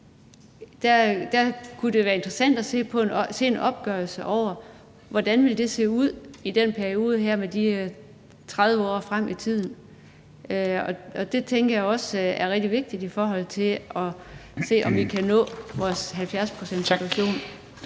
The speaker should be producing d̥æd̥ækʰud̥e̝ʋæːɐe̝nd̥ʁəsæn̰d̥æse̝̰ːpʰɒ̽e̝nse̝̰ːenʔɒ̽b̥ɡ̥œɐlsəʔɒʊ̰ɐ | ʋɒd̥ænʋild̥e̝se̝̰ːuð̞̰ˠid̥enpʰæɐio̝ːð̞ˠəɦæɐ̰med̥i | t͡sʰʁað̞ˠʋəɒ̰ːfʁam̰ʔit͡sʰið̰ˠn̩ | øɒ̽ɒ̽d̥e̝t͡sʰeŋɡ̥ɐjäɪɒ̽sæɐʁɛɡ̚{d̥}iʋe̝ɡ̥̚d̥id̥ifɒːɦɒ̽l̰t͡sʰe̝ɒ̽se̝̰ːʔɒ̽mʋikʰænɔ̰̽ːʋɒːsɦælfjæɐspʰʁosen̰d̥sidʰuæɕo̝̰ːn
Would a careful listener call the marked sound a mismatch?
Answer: no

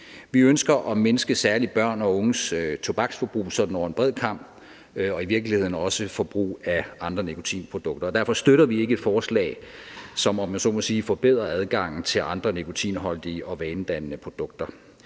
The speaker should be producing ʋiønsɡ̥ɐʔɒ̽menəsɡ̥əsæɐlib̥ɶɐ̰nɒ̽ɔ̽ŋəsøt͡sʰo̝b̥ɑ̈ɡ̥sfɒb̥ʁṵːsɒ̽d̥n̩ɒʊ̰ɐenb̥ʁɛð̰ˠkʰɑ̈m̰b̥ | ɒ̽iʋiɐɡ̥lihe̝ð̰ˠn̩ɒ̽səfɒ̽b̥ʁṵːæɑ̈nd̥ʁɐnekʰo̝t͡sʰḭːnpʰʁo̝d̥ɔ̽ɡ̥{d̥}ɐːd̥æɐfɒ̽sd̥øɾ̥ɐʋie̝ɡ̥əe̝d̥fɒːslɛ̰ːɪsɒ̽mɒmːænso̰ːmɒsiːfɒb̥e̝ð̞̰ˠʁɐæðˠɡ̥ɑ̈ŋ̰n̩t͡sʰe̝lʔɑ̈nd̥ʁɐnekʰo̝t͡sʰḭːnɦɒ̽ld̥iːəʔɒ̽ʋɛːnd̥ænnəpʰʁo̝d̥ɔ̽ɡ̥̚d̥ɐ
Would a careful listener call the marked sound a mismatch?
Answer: no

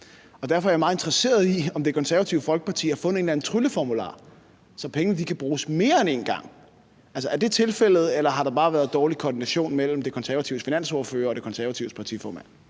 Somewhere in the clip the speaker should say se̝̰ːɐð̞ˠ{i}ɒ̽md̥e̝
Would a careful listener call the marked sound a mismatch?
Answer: no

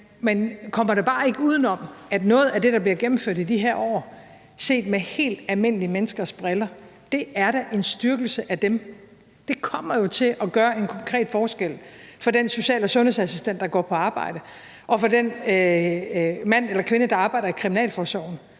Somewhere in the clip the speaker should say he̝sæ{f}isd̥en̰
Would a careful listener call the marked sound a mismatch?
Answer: yes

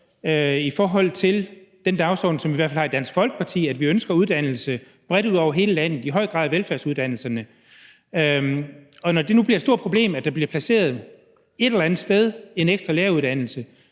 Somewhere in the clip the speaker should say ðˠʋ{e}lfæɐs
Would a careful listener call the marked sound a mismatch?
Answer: no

